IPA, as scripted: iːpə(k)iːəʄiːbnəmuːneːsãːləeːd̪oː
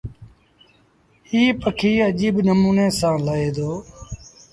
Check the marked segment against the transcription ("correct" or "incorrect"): incorrect